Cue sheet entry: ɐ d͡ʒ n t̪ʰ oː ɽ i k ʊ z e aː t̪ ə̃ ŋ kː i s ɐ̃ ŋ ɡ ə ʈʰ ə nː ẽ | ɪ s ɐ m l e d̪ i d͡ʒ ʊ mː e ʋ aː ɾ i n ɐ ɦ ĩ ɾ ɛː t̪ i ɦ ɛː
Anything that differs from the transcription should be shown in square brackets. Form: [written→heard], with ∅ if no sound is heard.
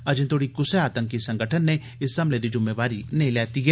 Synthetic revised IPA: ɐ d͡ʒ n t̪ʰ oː ɽ i k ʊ [z→s] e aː t̪ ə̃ ŋ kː i s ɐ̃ ŋ ɡ ə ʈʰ ə nː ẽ | ɪ s ɐ m l e d̪ i d͡ʒ ʊ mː e ʋ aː ɾ i n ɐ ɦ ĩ [ɾ→l] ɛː t̪ i ɦ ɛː